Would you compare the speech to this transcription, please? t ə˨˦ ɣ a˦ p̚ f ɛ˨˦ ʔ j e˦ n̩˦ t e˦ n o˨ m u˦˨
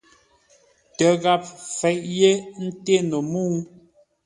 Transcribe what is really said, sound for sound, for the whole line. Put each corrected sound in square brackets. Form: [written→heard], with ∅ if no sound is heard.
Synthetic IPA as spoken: t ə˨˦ ɣ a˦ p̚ f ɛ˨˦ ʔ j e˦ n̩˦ t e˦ n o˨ m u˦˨